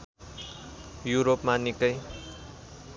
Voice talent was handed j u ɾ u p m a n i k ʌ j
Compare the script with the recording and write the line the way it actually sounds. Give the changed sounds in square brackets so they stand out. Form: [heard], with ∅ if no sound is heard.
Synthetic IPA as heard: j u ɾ [o] p m a n i k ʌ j